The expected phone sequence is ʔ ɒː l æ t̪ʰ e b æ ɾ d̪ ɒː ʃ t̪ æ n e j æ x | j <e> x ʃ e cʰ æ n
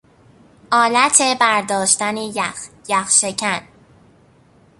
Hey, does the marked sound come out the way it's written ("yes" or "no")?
no